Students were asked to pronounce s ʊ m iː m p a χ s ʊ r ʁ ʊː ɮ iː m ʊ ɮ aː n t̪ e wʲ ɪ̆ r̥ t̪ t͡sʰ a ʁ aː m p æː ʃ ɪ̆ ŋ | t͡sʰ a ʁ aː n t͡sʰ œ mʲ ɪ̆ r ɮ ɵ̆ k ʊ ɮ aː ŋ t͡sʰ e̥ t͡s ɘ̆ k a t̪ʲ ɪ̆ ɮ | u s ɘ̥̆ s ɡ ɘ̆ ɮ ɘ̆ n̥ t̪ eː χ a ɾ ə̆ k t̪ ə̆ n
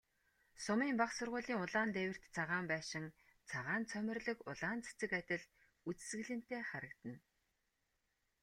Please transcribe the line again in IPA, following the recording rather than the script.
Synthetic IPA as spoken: s ʊ m iː m p a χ s ʊ r ʁ ʊː ɮ iː ŋ ʊ ɮ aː n t̪ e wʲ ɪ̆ r̥ t̪ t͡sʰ a ʁ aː m p æː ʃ ɪ̆ ŋ | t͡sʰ a ʁ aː n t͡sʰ œ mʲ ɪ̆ r ɮ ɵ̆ k ʊ ɮ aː n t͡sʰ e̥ t͡s ɘ̆ k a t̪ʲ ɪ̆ ɮ | u t͡s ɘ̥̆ s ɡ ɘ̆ ɮ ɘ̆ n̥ t̪ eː χ a ɾ ə̆ k t̪ ə̆ n

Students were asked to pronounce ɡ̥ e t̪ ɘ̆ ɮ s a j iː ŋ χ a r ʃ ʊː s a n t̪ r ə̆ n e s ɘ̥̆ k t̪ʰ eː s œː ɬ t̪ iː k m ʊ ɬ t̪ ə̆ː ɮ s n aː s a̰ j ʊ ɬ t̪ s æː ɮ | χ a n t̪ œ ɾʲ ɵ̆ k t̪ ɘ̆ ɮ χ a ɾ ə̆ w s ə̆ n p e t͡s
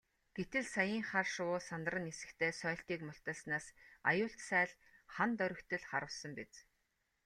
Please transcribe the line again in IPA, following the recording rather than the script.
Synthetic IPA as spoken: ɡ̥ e t̪ ɘ̆ ɮ s a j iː ŋ χ a r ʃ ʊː s a n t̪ r ə̆ n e s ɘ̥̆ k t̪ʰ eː s œː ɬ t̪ iː k m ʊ ɬ t̪ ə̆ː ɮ s n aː s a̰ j ʊː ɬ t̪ s æː ɮ | χ a n t̪ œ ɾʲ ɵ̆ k t̪ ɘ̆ ɮ χ a ɾ ə̆ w s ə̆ m p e t͡s

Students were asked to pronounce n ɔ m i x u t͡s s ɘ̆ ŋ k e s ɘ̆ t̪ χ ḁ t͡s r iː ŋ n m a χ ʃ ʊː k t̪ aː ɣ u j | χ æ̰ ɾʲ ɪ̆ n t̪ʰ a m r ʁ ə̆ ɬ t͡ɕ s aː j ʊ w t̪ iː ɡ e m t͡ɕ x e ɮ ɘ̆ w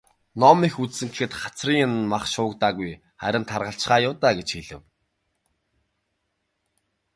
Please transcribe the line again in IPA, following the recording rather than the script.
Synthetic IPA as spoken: n ɔ m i x u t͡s s ɘ̆ ŋ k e x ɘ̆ t̪ χ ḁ t͡s r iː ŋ n m a χ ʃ ʊː k t̪ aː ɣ u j | χ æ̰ ɾʲ ɪ̆ n t̪ʰ a r ʁ ə̆ ɬ t͡ɕ χ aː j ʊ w t̪ aː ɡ e t͡ɕ x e ɮ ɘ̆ w

